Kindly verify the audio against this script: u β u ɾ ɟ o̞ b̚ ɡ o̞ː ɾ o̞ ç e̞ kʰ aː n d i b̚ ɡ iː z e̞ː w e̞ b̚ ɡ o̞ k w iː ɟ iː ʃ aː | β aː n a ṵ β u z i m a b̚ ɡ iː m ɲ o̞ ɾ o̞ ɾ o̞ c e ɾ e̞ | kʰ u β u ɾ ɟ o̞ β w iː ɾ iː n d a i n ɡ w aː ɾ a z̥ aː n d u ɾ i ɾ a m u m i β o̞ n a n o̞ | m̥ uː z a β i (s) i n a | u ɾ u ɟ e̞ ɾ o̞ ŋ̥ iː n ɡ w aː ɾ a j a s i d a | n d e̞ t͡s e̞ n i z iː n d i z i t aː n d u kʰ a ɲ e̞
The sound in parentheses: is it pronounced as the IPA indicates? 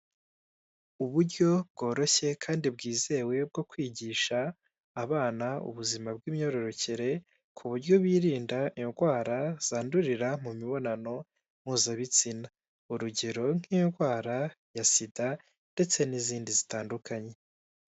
no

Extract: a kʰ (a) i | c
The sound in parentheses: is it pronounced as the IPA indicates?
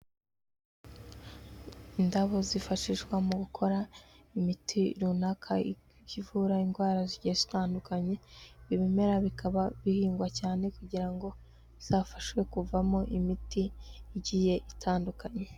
yes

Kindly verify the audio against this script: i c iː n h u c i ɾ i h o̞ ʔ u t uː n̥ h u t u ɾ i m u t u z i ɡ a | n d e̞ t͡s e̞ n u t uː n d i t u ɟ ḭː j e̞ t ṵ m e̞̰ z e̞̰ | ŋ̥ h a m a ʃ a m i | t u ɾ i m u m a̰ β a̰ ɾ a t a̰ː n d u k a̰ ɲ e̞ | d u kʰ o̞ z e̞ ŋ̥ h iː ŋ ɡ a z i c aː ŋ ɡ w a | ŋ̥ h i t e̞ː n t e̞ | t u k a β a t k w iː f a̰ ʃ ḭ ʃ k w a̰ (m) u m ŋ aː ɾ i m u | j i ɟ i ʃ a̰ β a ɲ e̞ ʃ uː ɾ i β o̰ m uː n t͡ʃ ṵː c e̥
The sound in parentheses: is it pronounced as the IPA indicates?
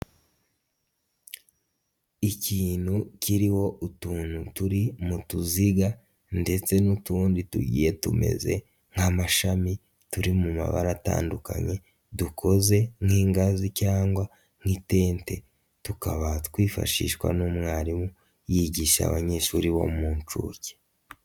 no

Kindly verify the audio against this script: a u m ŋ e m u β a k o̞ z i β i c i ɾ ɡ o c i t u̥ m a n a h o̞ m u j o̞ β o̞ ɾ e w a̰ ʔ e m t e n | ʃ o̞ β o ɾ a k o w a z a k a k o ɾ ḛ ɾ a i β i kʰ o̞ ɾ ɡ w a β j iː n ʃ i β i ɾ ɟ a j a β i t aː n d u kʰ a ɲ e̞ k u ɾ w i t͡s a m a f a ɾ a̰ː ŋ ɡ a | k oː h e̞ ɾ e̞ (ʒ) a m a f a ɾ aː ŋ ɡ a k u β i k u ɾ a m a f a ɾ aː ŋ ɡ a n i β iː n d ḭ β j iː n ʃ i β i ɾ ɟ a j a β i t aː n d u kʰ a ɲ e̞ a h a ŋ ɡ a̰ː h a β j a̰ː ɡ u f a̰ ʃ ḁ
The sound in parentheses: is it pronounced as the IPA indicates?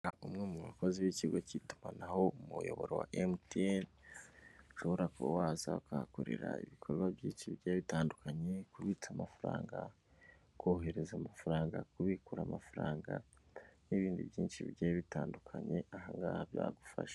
no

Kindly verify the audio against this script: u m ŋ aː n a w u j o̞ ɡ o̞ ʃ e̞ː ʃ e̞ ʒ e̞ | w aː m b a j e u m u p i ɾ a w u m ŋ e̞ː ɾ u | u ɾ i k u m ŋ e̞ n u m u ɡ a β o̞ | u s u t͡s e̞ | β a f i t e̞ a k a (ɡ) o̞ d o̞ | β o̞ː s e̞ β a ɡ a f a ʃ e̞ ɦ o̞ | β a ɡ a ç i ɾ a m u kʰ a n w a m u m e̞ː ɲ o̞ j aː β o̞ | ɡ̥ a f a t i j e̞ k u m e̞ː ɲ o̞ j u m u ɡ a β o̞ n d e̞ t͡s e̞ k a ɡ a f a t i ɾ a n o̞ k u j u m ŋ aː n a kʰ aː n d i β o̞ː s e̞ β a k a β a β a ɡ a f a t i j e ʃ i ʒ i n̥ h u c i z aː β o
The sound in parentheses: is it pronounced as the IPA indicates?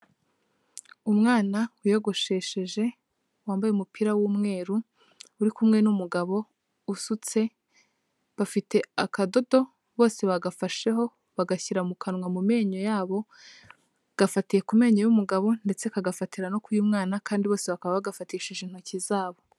no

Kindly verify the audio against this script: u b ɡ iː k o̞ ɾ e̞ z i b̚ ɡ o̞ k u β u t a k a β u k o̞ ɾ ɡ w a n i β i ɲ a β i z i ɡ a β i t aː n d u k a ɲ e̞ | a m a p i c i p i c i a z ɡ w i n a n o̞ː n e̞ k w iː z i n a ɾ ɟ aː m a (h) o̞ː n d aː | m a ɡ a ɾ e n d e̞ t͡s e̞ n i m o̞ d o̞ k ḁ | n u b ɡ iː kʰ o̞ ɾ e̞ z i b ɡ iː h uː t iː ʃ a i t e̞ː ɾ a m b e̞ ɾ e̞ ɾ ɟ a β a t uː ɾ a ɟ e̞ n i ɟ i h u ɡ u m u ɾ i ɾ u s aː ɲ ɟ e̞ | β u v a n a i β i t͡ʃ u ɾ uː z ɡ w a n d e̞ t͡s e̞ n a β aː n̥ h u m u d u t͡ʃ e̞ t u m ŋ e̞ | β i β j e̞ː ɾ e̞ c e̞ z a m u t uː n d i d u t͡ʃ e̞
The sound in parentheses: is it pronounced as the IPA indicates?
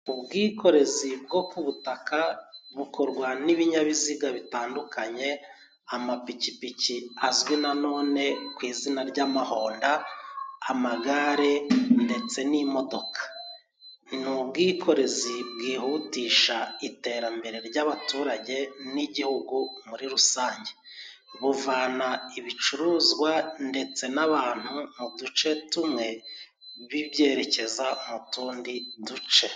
yes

